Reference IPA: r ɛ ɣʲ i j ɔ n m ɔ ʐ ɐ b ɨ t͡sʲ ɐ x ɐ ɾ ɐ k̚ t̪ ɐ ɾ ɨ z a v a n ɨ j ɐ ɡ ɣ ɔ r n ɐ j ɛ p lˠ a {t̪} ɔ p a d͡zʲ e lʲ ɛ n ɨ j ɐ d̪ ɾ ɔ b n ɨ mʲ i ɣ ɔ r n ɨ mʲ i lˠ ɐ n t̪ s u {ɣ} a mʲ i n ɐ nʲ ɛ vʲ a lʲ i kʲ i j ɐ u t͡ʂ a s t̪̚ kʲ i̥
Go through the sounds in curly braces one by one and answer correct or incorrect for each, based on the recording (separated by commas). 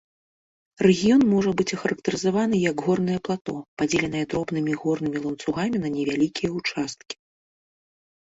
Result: correct, correct